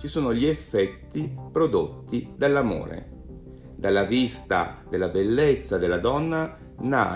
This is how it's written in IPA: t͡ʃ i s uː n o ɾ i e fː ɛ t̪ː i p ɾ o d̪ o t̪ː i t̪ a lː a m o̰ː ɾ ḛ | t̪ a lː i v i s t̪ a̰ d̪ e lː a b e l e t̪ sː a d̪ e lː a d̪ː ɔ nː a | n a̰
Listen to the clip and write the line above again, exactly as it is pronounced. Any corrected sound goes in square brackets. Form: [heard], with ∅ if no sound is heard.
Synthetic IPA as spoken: t͡ʃ i s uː n o [ʎ] i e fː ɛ t̪ː i p ɾ o d̪ o t̪ː i [d̪] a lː a m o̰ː ɾ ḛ | [d̪] a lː [a] v i s t̪ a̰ d̪ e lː a b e [lː] e t̪ sː a d̪ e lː a [d̪] ɔ nː a | n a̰